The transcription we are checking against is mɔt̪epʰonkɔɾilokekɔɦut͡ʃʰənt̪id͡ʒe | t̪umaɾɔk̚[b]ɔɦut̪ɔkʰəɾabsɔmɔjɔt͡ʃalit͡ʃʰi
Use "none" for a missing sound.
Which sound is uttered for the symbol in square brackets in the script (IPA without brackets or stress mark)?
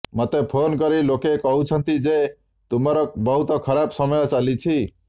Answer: b